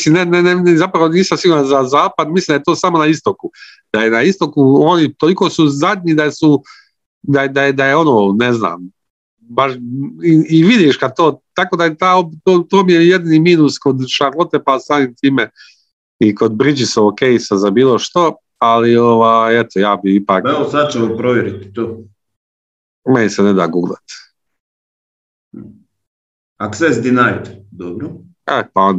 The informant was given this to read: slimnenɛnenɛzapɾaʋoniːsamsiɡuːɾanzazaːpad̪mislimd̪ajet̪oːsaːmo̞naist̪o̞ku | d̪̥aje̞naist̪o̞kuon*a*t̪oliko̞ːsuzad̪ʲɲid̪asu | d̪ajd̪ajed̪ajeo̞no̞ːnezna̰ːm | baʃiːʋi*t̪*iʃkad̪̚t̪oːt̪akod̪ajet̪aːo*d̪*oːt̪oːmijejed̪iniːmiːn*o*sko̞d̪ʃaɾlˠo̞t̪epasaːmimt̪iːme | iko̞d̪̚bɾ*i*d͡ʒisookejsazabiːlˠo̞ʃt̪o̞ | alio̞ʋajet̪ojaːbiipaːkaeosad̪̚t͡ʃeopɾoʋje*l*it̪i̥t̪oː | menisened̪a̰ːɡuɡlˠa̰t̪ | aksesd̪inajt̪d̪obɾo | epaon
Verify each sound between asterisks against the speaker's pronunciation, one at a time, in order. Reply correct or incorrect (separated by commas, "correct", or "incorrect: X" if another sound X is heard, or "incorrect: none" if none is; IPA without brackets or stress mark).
incorrect: i, incorrect: d̪, incorrect: t̪, incorrect: u, correct, incorrect: ɾ